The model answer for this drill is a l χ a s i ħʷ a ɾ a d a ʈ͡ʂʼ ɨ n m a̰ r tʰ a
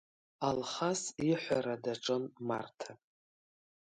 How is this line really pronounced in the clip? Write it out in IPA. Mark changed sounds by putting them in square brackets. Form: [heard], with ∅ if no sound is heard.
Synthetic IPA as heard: a l χ a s i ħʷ a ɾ a d a ʈ͡ʂʼ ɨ n m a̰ r tʰ a